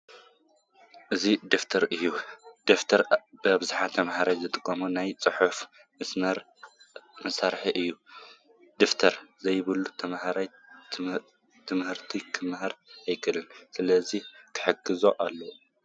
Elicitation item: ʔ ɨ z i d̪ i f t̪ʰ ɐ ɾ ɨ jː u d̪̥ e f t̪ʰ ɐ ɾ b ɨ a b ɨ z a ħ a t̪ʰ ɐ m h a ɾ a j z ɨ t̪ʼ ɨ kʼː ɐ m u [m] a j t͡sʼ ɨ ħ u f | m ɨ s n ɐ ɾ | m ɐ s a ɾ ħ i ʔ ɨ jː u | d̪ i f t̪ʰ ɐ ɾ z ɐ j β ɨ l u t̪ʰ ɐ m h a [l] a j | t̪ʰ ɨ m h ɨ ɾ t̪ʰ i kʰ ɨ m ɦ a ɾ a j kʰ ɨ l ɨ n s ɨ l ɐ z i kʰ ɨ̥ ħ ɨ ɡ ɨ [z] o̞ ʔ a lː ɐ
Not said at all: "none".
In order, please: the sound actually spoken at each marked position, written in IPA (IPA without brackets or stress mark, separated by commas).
n, ɾ, z